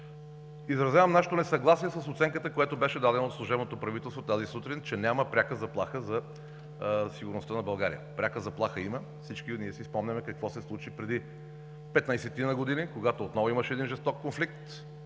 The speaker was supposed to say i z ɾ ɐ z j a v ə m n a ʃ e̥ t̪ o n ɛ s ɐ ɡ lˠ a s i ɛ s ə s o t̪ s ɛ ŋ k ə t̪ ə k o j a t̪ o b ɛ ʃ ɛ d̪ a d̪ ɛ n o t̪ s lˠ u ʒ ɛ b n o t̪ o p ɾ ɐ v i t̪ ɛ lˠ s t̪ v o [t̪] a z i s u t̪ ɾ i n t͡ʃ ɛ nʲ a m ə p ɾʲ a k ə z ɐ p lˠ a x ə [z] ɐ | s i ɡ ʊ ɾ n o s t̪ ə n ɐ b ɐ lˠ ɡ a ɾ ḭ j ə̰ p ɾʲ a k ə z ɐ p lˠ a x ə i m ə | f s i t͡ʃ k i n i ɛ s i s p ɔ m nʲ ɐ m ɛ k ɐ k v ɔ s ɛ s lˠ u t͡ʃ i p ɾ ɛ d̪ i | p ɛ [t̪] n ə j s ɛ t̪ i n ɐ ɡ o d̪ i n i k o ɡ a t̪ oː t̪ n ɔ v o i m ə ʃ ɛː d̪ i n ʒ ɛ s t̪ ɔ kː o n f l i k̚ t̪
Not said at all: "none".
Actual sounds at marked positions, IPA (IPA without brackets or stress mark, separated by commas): t̪, z, t̪